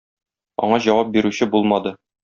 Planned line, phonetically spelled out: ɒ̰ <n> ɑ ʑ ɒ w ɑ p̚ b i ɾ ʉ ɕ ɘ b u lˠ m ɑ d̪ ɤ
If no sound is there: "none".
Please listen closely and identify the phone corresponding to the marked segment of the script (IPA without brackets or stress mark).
ɴ